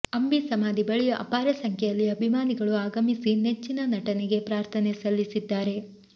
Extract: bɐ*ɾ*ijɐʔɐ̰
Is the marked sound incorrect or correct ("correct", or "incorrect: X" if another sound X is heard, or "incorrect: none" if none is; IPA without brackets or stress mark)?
incorrect: ɭ